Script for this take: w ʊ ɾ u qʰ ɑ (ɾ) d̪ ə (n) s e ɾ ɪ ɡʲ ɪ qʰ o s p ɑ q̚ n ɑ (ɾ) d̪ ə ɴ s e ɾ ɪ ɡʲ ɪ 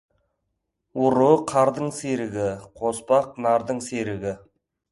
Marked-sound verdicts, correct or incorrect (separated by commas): correct, incorrect, correct